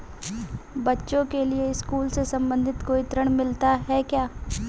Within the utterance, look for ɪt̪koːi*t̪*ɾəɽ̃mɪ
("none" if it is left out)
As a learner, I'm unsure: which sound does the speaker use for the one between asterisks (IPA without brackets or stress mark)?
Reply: t̪